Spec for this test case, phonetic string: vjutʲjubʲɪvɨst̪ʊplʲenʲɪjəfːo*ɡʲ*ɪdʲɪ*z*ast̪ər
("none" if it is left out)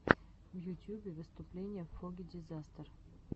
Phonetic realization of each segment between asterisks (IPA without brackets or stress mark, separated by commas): ɡʲ, z